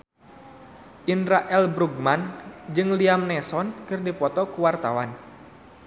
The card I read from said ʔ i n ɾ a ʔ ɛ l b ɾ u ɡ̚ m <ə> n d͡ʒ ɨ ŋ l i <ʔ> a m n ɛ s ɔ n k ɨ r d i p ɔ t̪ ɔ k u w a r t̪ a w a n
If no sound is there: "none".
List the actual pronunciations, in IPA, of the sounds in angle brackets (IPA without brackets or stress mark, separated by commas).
a, none